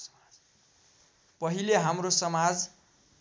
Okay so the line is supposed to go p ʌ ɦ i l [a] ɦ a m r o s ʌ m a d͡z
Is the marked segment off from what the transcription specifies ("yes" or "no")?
yes